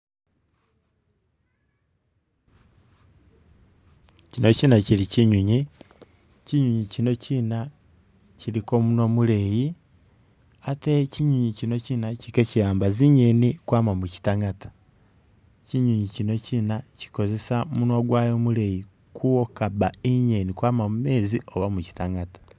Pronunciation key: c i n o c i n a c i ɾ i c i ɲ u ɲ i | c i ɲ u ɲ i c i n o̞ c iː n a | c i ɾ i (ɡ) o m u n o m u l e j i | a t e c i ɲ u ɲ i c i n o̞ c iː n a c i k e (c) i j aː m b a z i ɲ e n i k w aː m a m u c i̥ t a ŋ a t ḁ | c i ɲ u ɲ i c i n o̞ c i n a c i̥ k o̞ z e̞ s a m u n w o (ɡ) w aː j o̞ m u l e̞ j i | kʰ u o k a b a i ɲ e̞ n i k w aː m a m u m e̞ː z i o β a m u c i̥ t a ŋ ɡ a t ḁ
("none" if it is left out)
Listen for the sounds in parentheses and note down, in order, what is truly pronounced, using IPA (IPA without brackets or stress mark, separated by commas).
k, c, ɡ